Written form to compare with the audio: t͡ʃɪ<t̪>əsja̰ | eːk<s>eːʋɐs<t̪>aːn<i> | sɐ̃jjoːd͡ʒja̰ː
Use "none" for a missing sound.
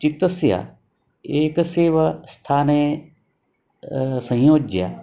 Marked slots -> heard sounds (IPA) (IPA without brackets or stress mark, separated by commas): t̪, s, t̪ʰ, e